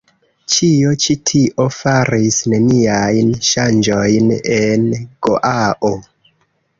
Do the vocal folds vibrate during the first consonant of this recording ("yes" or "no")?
no